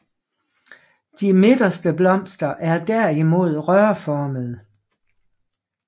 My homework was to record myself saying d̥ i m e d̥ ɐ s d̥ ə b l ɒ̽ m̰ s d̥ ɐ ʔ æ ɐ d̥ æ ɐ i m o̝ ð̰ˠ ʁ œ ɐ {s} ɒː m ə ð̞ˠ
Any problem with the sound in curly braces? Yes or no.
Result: yes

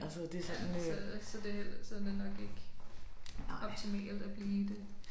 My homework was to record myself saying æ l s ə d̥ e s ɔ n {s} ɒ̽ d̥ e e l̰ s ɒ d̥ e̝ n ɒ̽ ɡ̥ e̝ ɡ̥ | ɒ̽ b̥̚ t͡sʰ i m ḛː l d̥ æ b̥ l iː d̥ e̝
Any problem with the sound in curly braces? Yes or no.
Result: no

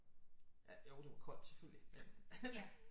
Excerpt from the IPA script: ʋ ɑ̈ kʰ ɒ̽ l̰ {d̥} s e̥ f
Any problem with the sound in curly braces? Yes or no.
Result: no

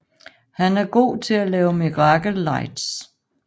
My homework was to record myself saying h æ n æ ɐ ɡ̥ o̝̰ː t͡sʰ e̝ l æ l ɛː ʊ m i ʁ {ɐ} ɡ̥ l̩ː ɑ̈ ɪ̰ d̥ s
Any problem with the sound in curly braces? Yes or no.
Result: yes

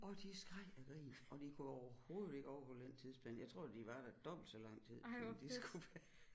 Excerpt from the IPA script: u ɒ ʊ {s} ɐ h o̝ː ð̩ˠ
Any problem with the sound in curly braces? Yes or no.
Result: yes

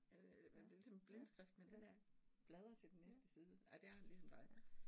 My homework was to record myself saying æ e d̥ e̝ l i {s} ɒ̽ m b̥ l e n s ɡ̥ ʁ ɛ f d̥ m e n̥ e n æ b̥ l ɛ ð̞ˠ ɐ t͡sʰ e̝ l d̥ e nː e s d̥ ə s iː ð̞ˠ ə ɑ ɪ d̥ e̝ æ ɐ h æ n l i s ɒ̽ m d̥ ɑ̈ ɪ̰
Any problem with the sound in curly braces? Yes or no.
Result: no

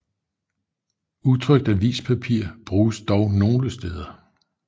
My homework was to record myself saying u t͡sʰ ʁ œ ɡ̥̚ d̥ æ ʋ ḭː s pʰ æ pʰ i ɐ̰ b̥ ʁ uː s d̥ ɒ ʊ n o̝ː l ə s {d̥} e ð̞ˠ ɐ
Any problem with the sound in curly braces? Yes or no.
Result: no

